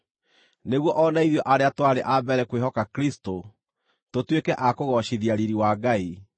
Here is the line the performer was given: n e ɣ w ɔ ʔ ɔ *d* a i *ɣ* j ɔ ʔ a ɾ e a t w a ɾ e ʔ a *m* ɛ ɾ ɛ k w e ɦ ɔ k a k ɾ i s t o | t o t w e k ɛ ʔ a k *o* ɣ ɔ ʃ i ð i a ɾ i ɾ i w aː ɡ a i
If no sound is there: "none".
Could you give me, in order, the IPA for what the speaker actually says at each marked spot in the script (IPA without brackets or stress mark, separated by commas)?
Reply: n, ð, b, o